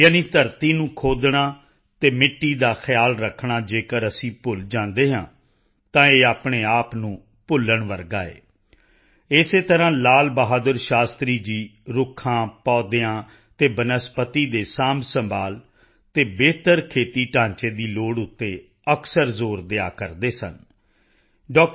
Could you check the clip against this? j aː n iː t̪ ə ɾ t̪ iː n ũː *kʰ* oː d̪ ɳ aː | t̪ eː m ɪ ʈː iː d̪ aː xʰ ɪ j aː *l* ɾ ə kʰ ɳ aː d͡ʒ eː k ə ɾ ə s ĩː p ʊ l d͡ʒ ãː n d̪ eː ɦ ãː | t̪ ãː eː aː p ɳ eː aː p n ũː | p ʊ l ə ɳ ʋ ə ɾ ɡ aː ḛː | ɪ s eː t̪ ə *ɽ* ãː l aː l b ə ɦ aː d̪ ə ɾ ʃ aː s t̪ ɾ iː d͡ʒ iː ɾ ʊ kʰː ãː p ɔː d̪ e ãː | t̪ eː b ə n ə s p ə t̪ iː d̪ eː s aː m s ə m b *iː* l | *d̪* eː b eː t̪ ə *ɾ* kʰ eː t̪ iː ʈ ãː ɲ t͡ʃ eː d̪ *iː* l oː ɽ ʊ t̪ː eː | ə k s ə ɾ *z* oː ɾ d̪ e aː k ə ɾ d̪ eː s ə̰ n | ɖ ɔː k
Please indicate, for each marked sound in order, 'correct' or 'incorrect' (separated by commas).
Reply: correct, correct, incorrect, incorrect, incorrect, correct, correct, correct